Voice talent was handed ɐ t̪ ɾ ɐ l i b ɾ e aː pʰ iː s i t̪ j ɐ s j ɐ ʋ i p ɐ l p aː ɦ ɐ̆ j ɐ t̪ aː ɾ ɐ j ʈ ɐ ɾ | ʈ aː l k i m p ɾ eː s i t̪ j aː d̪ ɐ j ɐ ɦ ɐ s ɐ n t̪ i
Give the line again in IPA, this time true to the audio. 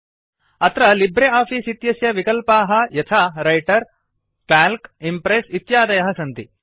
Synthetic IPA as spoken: ɐ t̪ ɾ ɐ l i b ɾ e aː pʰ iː s i t̪ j ɐ s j ɐ ʋ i k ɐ l p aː ɦ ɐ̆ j ɐ t̪ʰ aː ɾ ɐ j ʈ ɐ ɾ | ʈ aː l k i m p ɾ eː s i t̪ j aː d̪ ɐ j ɐ ɦ ɐ s ɐ n t̪ i

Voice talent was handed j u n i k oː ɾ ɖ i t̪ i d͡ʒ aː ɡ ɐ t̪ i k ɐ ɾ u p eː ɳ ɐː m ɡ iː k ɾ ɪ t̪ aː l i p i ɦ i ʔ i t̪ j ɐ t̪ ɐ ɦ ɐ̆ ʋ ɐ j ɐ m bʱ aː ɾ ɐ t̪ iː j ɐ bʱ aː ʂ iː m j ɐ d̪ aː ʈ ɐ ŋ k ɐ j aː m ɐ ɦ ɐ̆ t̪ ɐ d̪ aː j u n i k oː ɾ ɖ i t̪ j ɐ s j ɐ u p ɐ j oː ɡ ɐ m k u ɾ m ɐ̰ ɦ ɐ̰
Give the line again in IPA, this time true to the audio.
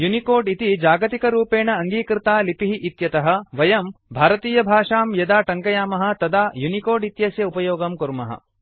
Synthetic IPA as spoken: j u n i k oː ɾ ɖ i t̪ i d͡ʒ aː ɡ ɐ t̪ i k ɐ ɾ uː p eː ɳ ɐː ŋ ɡ iː k ɾ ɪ t̪ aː l i p i ɦ i ʔ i t̪ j ɐ t̪ ɐ ɦ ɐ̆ ʋ ɐ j ɐ m bʱ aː ɾ ɐ t̪ iː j ɐ bʱ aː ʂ aː m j ɐ d̪ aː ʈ ɐ ŋ k ɐ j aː m ɐ ɦ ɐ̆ t̪ ɐ d̪ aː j u n i k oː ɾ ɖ i t̪ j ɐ s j ɐ u p ɐ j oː ɡ ɐ m k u ɾ m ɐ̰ ɦ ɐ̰

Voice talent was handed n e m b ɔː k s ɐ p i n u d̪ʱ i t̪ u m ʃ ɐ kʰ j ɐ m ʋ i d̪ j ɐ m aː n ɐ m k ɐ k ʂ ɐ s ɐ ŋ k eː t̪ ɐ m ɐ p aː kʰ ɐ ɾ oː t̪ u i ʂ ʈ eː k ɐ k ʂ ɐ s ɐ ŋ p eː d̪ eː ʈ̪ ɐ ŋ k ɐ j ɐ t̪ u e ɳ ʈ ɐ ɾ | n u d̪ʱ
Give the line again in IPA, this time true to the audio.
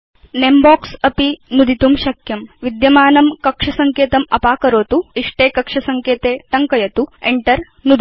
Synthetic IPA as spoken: n e m b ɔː k s ɐ p i n u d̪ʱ i t̪ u m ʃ ɐ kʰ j ɐ m ʋ i d̪ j ɐ m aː n ɐ m k ɐ k ʂ ɐ s ɐ ŋ k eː t̪ ɐ m ɐ p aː k ɐ ɾ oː t̪ u i ʂ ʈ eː k ɐ k ʂ ɐ s ɐ ŋ k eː t̪ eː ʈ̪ ɐ ŋ k ɐ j ɐ t̪ u e ɳ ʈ ɐ ɾ | n u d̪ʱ

